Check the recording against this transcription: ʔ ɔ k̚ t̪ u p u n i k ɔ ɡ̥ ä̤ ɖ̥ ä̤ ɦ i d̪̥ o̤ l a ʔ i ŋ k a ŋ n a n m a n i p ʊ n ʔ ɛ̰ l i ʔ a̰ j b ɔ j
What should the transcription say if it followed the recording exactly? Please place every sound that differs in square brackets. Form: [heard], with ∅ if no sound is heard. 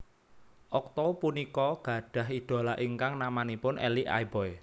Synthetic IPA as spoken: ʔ ɔ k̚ t̪ [ɔ] p u n i k ɔ ɡ̥ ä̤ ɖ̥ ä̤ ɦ i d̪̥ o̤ l a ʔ i ŋ k a ŋ n a [∅] m a n i p ʊ n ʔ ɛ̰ l i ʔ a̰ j b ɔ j